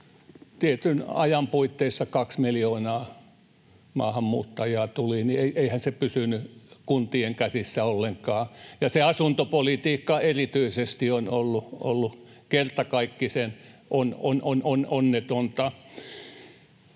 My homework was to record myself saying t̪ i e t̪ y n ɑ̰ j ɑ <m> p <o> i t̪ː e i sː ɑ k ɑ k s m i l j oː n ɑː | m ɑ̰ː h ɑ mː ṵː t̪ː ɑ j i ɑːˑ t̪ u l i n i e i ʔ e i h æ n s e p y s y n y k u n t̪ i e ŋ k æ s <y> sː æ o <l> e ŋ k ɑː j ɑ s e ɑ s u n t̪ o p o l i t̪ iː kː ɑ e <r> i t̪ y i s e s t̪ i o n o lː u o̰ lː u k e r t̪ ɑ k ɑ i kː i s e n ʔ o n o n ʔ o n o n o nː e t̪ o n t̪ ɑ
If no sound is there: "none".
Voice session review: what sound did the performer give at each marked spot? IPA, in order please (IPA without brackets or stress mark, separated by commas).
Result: m, u, i, lː, r